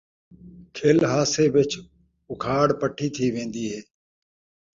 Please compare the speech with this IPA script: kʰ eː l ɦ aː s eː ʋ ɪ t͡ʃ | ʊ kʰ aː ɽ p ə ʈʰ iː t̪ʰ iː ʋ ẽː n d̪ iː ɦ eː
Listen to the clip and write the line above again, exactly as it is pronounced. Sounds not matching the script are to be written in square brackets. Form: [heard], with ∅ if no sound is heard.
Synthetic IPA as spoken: kʰ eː l ɦ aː s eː ʋ ɪ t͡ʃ | ʊ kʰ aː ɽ p ə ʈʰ iː t̪ʰ iː ʋ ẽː n d̪ iː ɦ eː